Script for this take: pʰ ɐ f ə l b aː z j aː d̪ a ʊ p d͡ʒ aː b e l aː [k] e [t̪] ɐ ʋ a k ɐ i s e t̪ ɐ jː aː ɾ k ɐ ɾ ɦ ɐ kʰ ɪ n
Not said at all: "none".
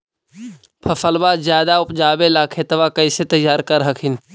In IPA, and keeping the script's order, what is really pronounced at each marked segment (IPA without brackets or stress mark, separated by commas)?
kʰ, t̪